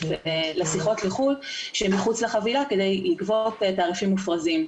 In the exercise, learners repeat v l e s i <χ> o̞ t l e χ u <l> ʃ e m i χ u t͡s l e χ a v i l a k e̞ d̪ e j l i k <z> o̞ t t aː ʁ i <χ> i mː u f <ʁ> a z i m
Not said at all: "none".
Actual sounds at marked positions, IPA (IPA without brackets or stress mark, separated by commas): χ, l, v, f, ʁ